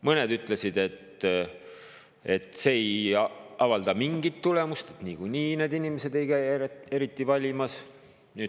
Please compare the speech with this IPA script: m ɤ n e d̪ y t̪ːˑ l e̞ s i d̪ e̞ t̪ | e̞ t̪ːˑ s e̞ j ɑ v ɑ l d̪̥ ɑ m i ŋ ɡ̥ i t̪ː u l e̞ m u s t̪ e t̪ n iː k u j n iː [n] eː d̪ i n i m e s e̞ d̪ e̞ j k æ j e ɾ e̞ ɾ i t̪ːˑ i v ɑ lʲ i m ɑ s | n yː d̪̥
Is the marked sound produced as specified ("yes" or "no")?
yes